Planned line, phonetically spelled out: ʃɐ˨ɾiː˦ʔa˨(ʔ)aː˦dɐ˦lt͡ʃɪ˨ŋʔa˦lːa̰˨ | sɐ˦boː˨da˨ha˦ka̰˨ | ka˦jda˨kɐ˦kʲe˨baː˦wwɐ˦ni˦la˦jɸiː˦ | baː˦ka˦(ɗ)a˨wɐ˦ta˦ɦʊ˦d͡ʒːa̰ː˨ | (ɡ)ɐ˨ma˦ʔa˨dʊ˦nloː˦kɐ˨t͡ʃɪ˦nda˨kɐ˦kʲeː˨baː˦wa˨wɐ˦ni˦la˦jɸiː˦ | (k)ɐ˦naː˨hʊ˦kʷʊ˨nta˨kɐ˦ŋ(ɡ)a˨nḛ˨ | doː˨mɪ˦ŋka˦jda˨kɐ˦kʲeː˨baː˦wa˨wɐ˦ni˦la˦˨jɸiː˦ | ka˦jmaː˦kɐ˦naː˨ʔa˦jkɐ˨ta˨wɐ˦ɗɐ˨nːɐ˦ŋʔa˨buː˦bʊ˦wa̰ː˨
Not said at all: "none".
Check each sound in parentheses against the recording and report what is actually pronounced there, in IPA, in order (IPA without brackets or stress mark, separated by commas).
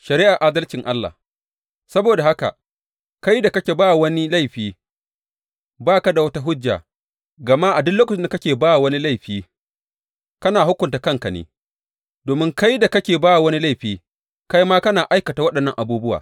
ʔ, d, ɡ, k, k